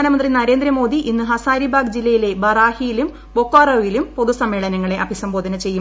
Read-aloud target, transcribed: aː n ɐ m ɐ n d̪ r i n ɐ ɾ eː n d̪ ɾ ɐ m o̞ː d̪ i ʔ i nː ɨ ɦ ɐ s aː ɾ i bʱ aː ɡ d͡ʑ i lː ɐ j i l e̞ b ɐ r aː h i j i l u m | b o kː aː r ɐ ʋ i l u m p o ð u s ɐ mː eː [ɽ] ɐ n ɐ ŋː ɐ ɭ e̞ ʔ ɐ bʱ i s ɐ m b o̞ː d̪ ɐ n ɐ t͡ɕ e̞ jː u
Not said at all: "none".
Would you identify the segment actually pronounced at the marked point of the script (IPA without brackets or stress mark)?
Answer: ɭ